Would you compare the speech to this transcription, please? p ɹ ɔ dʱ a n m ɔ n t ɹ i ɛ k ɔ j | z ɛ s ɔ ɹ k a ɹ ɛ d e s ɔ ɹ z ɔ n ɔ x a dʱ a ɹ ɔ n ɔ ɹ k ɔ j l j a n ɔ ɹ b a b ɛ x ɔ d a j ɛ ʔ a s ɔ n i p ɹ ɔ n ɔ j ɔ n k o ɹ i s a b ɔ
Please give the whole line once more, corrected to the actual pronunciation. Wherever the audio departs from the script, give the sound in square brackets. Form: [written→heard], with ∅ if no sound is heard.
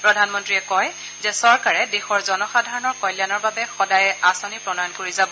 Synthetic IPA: p ɹ ɔ dʱ a n m ɔ n t ɹ i ɛ k ɔ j | z ɛ s ɔ ɹ k a ɹ ɛ d e [s→x] ɔ ɹ z ɔ n ɔ x a dʱ a ɹ ɔ n ɔ ɹ k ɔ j l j a n ɔ ɹ b a b ɛ x ɔ d a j ɛ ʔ a s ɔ n i p ɹ ɔ n ɔ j ɔ n k o ɹ i [s→z] a b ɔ